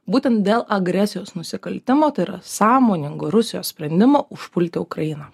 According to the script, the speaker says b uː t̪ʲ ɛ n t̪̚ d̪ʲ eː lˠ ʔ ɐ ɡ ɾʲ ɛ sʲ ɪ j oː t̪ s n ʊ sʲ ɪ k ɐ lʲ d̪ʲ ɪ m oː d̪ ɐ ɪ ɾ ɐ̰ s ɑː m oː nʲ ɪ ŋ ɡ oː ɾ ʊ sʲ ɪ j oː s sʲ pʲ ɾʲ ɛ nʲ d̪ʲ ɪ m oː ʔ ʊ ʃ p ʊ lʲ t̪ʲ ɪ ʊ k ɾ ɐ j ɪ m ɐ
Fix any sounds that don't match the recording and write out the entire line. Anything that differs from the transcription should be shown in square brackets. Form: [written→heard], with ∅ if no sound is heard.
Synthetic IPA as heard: b uː t̪ʲ ɛ n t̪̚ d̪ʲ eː lˠ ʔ ɐ ɡ ɾʲ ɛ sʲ ɪ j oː [t̪→∅] s n ʊ sʲ ɪ k ɐ lʲ [d̪ʲ→t̪ʲ] ɪ m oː [d̪→t̪] ɐ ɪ ɾ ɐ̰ s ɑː m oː nʲ ɪ ŋ ɡ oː ɾ ʊ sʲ ɪ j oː s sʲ pʲ ɾʲ ɛ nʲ d̪ʲ ɪ m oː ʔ ʊ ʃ p ʊ lʲ t̪ʲ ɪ ʊ k ɾ ɐ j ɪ [m→n] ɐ

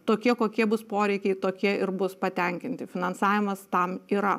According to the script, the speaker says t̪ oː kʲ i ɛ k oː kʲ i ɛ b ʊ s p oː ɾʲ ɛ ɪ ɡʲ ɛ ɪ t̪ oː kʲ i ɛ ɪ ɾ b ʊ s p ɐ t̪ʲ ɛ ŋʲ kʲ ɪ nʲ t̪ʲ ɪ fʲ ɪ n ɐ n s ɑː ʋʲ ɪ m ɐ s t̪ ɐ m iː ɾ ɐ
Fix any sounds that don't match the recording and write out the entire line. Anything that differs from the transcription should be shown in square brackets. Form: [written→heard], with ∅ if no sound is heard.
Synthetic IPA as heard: t̪ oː kʲ i ɛ k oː kʲ i ɛ b ʊ s p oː ɾʲ ɛ ɪ [ɡʲ→kʲ] ɛ ɪ t̪ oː kʲ i ɛ ɪ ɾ b ʊ s p ɐ t̪ʲ ɛ ŋʲ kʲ ɪ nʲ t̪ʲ ɪ fʲ ɪ n ɐ n s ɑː ʋʲ ɪ m ɐ s t̪ ɐ m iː ɾ ɐ

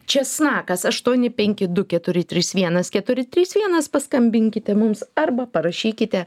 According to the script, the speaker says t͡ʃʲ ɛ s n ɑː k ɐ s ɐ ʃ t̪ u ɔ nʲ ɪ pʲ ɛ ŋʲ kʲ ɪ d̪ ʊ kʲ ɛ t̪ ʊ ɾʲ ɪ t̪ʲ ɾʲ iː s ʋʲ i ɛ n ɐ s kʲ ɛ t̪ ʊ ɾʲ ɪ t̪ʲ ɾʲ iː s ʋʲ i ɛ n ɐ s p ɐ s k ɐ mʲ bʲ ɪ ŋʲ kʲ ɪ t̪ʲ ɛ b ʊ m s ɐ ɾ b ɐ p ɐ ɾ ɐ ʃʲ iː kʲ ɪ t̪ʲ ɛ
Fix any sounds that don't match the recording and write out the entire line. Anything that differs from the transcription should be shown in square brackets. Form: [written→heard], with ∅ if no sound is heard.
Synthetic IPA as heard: t͡ʃʲ ɛ s n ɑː k ɐ s ɐ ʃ t̪ u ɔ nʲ ɪ pʲ ɛ ŋʲ kʲ ɪ d̪ ʊ kʲ ɛ t̪ ʊ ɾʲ ɪ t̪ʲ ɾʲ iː s ʋʲ i ɛ n ɐ s kʲ ɛ t̪ ʊ ɾʲ ɪ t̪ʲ ɾʲ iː s ʋʲ i ɛ n ɐ s p ɐ s k ɐ mʲ bʲ ɪ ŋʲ kʲ ɪ t̪ʲ ɛ [b→m] ʊ m s ɐ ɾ b ɐ p ɐ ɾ ɐ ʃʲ iː kʲ ɪ t̪ʲ ɛ

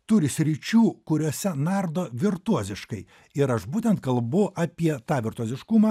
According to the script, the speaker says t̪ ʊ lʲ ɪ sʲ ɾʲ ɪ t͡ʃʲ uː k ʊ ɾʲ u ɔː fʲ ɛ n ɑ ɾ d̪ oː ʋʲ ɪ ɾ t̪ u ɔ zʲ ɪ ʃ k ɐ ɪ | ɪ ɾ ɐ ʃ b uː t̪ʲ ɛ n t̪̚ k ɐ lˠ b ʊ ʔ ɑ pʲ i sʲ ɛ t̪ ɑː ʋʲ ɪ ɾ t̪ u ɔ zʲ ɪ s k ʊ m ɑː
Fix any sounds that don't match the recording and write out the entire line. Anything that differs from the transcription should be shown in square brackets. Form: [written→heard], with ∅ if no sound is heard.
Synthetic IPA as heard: t̪ ʊ [lʲ→ɾʲ] ɪ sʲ ɾʲ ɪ t͡ʃʲ uː k ʊ ɾʲ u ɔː [fʲ→sʲ] ɛ n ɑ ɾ d̪ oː ʋʲ ɪ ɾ t̪ u ɔ zʲ ɪ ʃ k ɐ ɪ | ɪ ɾ ɐ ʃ b uː t̪ʲ ɛ n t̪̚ k ɐ lˠ b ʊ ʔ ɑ pʲ i [sʲ→∅] ɛ t̪ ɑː ʋʲ ɪ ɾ t̪ u ɔ zʲ ɪ [s→ʃ] k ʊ m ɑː

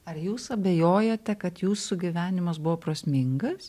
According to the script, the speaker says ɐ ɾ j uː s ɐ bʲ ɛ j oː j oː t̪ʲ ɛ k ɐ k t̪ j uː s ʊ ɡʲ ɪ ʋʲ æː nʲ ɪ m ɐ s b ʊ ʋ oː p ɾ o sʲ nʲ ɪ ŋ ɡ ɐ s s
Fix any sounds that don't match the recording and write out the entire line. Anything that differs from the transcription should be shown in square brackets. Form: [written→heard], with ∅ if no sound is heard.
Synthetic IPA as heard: ɐ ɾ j uː s ɐ bʲ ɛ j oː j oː t̪ʲ ɛ k ɐ [k→∅] t̪ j uː s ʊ ɡʲ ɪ ʋʲ æː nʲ ɪ m ɐ s b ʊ ʋ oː p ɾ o sʲ [nʲ→mʲ] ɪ ŋ ɡ ɐ s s

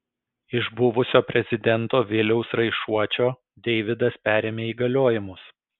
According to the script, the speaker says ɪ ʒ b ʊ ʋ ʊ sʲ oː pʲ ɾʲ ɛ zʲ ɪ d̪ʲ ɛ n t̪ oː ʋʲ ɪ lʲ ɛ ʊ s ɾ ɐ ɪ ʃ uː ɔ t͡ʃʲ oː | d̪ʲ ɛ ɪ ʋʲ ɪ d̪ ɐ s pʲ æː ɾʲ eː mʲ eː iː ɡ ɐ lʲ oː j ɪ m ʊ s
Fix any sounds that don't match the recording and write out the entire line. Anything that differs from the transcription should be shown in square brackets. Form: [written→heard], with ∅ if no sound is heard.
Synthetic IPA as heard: ɪ ʒ b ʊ ʋ ʊ sʲ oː pʲ ɾʲ ɛ zʲ ɪ d̪ʲ ɛ n t̪ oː ʋʲ ɪ lʲ ɛ ʊ s ɾ ɐ ɪ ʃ [uː→u] ɔ t͡ʃʲ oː | d̪ʲ ɛ ɪ ʋʲ ɪ d̪ ɐ s pʲ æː ɾʲ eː mʲ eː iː ɡ ɐ lʲ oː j ɪ m ʊ s

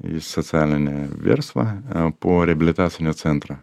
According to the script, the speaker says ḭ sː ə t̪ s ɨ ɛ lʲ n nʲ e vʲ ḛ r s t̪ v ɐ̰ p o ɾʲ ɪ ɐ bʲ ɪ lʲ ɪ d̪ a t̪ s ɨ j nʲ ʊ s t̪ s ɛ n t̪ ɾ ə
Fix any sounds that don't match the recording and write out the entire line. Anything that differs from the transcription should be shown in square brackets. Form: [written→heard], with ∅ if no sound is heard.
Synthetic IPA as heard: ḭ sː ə t̪ s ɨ [ɛ→a] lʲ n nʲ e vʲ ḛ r s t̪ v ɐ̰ p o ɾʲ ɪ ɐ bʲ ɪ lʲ ɪ [d̪→t̪] a t̪ s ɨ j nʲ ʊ [s→∅] t̪ s ɛ n t̪ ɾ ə

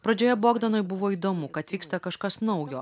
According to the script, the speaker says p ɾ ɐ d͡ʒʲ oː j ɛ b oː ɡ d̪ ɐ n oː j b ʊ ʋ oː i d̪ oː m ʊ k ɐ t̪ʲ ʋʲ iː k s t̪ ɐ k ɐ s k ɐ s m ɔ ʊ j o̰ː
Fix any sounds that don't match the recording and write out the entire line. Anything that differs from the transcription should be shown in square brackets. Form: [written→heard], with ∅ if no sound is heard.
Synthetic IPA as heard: p ɾ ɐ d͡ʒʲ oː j ɛ b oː ɡ d̪ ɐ n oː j b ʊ ʋ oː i d̪ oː m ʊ k ɐ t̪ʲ ʋʲ iː k s t̪ ɐ k ɐ [s→ʃ] k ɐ s [m→n] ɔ ʊ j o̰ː

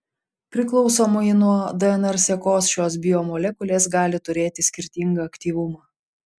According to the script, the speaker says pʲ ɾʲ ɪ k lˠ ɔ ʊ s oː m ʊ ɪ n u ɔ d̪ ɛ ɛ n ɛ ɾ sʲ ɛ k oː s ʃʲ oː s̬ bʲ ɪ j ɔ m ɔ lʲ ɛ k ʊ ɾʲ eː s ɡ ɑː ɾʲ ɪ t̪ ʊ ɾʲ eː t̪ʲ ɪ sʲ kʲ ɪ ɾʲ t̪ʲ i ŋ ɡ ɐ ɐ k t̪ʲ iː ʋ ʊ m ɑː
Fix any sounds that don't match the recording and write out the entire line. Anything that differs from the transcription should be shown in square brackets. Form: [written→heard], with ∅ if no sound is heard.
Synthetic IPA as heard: pʲ ɾʲ ɪ k lˠ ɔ ʊ s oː m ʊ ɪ n u ɔ d̪ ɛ ɛ n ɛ ɾ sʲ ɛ k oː s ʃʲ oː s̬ bʲ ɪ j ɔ m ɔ lʲ ɛ k ʊ [ɾʲ→lʲ] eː s ɡ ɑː [ɾʲ→lʲ] ɪ t̪ ʊ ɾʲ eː t̪ʲ ɪ sʲ kʲ ɪ ɾʲ t̪ʲ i ŋ ɡ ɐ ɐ k t̪ʲ iː ʋ ʊ m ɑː

